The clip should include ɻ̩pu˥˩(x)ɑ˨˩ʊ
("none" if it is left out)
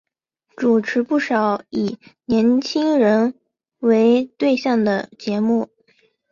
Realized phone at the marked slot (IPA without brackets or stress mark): ʂ